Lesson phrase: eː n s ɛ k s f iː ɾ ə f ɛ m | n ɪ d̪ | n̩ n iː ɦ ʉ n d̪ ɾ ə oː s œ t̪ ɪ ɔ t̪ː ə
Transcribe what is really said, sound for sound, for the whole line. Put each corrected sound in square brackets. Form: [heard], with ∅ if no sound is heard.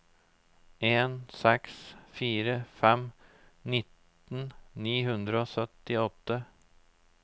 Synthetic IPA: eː n s ɛ k s f iː ɾ ə f ɛ m | n ɪ [t̪] | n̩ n iː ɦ ʉ n d̪ ɾ ə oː s œ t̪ ɪ ɔ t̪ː ə